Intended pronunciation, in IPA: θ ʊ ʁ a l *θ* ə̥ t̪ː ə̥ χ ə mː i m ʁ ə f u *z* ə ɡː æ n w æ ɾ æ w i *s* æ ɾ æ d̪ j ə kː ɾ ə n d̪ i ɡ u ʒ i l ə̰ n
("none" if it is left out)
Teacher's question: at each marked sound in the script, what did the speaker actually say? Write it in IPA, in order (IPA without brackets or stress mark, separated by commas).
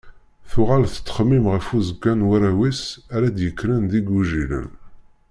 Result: θ, z, s